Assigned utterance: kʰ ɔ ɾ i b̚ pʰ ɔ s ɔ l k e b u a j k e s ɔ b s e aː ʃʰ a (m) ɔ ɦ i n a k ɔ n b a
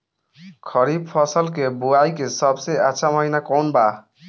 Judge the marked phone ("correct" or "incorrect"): correct